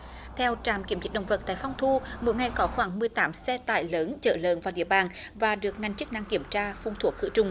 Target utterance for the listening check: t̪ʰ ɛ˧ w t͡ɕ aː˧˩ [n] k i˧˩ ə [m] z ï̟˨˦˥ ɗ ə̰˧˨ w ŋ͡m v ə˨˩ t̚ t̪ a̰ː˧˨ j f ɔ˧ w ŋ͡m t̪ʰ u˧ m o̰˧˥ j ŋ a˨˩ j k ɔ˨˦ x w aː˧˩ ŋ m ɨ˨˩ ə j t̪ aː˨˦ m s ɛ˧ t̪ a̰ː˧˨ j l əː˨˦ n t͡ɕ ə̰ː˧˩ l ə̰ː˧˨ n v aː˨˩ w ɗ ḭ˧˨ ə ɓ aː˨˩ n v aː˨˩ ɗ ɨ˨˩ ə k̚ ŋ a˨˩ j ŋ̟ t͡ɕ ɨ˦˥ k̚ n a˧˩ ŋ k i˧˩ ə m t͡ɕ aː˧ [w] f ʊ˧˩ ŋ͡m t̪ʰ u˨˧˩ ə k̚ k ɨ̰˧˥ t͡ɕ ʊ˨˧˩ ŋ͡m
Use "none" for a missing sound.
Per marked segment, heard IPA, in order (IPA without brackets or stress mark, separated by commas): m, m, none